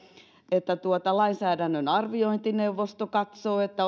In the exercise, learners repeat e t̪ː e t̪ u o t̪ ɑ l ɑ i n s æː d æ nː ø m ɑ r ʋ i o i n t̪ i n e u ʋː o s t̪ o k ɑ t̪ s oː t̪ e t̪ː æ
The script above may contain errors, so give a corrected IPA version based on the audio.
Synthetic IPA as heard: e t̪ː æ t̪ u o t̪ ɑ l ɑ i n s æː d æ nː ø n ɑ r ʋ i o i n t̪ i n e u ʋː o s t̪ o k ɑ t̪ s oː e t̪ː æ